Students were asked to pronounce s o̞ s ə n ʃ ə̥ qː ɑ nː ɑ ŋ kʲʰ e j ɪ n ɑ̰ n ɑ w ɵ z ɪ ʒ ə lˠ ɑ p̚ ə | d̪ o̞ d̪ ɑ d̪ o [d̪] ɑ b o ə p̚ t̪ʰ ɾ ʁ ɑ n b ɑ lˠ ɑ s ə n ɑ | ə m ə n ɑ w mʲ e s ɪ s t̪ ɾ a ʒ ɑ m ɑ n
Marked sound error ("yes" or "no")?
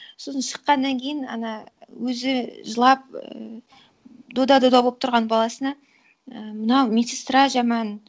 no